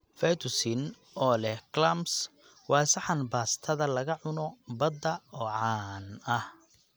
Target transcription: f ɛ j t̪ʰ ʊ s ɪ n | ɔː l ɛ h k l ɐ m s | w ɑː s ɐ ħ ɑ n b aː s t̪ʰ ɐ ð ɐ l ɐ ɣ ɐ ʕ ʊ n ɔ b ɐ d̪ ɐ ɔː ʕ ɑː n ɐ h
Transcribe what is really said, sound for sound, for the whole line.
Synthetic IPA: f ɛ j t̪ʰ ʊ s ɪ n | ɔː l ɛ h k l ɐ m s | w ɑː s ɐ ħ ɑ n b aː s t̪ʰ ɐ ð ɐ l ɐ ɣ ɐ ʕ ʊ n ɔ b ɐ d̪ ɐ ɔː ʕ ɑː n ɐ h